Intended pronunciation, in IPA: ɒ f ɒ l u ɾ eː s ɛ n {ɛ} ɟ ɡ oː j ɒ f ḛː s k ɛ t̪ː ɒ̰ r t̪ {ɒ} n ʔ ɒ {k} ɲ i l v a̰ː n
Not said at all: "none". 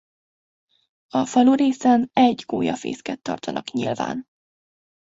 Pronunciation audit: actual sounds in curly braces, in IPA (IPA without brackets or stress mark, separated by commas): ɛ, ɒ, k